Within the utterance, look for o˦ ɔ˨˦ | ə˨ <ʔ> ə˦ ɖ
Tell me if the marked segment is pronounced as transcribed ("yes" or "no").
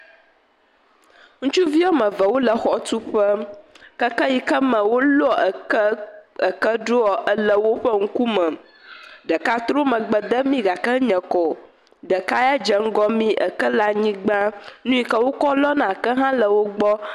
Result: no